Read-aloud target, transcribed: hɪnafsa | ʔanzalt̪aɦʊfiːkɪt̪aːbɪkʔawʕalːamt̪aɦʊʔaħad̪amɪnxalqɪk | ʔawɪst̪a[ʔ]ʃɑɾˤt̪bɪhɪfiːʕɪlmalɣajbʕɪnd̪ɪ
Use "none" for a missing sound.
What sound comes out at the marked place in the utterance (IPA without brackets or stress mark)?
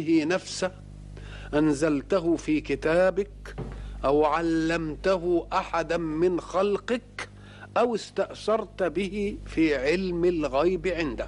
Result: ʔ